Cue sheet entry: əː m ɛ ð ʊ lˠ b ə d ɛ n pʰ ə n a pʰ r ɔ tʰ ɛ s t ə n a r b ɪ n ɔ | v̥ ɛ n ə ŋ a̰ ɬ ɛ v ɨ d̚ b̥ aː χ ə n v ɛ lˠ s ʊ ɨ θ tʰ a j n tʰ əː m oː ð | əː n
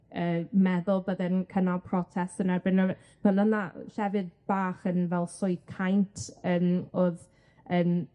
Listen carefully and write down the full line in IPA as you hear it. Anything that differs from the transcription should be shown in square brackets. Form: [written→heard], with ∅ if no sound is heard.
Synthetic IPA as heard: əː m ɛ ð ʊ lˠ b ə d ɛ n [pʰ→kʰ] ə n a pʰ r ɔ tʰ ɛ s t ə n a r b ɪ n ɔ | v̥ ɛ n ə [ŋ→n] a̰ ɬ ɛ v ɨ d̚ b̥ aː χ ə n v ɛ lˠ s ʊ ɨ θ [tʰ→kʰ] a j n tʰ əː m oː ð | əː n